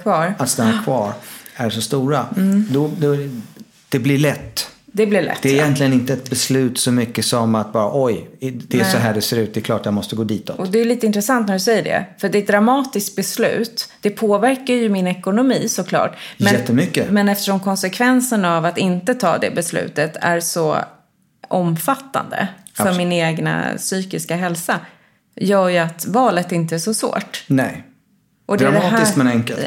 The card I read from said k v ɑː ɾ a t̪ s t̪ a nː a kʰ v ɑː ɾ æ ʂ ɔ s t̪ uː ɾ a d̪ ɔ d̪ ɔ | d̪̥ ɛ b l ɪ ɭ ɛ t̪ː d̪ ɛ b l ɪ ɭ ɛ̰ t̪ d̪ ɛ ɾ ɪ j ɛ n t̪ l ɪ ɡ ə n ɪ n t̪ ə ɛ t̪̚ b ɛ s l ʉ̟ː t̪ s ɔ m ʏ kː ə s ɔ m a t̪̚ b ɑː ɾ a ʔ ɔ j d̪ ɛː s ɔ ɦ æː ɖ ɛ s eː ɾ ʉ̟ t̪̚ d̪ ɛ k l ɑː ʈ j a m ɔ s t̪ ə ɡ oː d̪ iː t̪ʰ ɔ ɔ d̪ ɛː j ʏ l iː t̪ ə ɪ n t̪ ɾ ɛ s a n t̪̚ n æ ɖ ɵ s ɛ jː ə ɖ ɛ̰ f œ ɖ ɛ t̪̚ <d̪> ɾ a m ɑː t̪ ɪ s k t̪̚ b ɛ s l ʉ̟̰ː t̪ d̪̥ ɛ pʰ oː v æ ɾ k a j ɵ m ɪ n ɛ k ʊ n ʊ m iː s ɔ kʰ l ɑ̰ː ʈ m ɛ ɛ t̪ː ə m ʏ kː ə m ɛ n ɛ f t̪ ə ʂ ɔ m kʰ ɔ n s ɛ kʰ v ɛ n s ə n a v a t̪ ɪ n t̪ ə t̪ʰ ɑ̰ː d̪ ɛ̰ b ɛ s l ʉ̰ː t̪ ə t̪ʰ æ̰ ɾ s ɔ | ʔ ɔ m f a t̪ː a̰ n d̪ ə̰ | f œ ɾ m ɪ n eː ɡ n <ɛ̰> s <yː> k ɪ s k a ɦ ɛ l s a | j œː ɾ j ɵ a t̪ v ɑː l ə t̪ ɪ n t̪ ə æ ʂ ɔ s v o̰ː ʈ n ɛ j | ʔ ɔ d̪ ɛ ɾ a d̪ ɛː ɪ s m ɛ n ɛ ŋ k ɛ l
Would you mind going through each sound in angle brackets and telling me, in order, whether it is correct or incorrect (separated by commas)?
correct, incorrect, correct